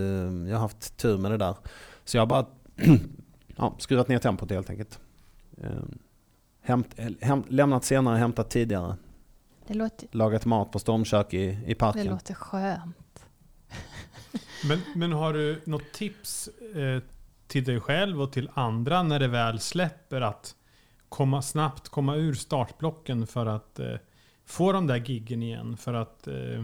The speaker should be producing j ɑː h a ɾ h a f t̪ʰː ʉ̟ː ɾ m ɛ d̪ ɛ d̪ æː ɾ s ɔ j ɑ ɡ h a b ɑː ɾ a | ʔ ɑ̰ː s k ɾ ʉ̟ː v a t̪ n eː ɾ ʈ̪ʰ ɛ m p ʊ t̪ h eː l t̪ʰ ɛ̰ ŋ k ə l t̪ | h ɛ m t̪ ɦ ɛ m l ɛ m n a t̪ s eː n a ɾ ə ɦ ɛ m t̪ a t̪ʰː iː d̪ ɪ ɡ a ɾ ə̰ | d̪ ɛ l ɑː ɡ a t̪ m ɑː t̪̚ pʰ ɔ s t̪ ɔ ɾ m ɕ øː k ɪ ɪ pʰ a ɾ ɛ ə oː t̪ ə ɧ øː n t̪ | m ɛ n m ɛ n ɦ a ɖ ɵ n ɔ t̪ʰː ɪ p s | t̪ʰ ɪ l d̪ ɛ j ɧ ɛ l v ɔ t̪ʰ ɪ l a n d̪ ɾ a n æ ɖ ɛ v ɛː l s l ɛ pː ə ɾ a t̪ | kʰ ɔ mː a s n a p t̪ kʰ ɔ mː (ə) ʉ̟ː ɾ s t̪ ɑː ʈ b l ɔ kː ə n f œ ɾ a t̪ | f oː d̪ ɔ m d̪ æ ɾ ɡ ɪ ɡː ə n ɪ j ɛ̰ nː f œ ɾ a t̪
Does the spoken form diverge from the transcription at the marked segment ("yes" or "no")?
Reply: yes